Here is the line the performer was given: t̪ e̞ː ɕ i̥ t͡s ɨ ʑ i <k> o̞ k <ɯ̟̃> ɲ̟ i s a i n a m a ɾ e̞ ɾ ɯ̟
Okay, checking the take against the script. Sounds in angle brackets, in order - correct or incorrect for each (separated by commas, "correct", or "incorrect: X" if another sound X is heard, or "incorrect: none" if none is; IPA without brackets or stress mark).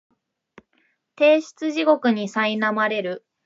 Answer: incorrect: ɡ, incorrect: ɯ̟